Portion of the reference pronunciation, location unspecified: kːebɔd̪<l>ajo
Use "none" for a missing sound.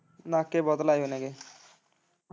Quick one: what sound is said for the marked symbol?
l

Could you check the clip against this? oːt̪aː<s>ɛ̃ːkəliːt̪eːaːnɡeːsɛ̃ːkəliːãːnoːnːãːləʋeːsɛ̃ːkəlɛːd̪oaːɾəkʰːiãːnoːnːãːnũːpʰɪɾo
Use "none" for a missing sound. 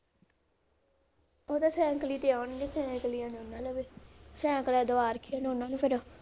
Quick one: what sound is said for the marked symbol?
s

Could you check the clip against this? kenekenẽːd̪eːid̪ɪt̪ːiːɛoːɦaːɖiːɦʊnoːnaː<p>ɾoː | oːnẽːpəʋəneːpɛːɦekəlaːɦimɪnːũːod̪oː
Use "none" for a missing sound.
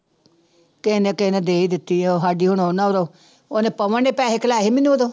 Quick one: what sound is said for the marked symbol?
none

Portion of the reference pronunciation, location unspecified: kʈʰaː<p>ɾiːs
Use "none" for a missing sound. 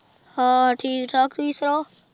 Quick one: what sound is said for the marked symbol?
k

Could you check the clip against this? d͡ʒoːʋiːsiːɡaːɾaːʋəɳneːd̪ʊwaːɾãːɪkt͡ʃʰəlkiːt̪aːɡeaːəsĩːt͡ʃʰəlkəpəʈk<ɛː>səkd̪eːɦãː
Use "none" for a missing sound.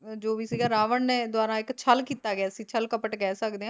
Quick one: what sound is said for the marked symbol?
ɛː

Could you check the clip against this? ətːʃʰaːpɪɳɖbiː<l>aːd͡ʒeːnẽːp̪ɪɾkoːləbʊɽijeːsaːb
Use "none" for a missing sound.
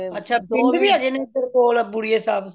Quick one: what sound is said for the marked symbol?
none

